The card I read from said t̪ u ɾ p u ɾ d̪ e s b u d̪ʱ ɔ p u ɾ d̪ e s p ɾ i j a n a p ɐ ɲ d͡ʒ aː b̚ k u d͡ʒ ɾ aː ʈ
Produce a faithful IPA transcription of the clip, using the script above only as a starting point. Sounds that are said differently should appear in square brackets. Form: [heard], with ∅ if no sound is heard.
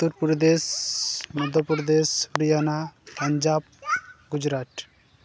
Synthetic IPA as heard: t̪ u ɾ p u ɾ d̪ e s [m] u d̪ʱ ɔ p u ɾ d̪ e s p ɾ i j a n a p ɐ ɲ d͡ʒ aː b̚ [ɡ] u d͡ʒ ɾ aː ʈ